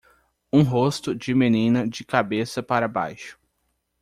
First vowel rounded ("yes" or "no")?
yes